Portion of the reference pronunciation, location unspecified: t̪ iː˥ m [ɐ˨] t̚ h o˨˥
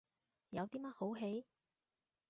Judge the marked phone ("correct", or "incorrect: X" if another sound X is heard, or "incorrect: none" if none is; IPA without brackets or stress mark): incorrect: ɐ˥